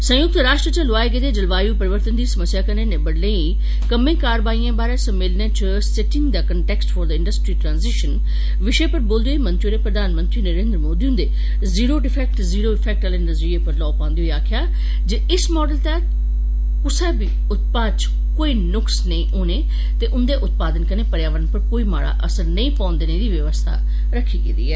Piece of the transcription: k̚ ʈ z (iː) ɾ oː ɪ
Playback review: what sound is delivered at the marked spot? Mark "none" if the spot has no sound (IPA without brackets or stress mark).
iː